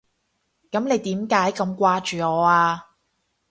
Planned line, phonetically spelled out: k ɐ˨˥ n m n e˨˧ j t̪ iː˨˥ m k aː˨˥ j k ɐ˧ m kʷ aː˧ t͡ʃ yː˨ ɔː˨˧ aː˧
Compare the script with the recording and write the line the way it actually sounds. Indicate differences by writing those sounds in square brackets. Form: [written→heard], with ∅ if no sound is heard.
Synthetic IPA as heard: k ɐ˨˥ [n→∅] m n e˨˧ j t̪ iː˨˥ m k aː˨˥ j k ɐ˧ m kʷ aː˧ t͡ʃ yː˨ ɔː˨˧ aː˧